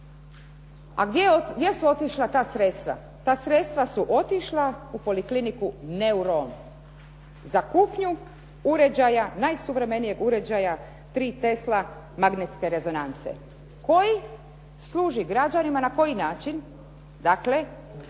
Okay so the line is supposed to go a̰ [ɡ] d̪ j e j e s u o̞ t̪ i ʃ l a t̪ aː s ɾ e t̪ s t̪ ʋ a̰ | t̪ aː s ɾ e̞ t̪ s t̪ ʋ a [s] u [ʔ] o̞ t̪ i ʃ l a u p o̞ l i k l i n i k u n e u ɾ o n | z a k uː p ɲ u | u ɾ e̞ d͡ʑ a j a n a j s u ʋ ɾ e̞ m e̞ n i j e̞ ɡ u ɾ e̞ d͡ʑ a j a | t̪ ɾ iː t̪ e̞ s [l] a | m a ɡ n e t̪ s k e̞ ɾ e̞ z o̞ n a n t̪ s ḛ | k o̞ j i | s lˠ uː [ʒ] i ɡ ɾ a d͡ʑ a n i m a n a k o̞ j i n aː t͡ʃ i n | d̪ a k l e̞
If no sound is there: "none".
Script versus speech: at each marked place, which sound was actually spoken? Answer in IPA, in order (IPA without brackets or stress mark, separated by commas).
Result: ɡ, s, ʔ, l, ʒ